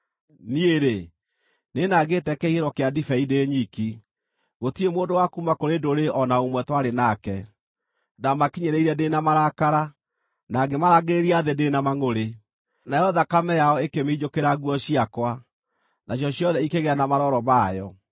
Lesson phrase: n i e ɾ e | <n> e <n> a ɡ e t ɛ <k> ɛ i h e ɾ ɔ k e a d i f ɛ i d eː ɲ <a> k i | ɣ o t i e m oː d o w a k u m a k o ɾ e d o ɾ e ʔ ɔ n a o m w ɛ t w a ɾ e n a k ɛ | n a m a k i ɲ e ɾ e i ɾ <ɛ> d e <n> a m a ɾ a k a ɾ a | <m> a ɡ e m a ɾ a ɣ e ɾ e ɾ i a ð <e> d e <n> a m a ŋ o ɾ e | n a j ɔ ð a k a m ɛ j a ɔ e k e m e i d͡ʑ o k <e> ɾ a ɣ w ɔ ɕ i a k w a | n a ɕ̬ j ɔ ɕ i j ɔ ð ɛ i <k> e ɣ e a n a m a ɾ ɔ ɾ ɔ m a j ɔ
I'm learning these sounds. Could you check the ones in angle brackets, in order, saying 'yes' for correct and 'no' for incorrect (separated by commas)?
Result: yes, yes, yes, no, yes, yes, no, yes, yes, yes, yes